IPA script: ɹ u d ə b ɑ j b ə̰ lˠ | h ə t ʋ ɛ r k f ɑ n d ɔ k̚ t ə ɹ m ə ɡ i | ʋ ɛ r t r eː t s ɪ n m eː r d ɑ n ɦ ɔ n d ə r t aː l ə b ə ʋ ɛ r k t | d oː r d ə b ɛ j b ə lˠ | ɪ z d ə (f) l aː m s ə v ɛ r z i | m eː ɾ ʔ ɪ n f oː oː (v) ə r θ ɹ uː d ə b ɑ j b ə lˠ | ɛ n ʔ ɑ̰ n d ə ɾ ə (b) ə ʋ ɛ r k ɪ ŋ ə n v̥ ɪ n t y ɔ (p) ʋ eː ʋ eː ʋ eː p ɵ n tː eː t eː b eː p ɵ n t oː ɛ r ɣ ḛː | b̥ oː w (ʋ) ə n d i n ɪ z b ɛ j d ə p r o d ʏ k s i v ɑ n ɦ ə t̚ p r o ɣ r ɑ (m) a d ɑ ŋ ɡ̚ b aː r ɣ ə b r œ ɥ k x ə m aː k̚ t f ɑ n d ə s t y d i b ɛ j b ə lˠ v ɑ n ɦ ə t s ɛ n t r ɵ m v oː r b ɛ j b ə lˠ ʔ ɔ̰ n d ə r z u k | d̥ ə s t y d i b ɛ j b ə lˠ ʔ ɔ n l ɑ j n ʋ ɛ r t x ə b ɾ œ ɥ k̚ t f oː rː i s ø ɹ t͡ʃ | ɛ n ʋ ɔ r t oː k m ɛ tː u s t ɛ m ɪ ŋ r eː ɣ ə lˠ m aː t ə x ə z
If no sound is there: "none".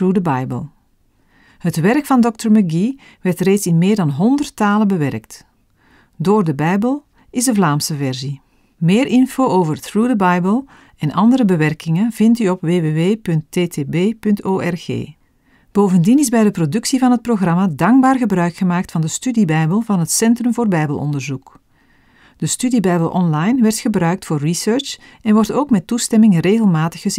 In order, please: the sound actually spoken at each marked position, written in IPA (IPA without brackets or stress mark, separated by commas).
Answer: v, v, b, p, v, m